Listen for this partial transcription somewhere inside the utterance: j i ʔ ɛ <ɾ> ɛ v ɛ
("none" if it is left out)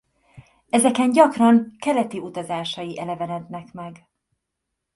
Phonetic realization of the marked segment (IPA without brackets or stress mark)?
l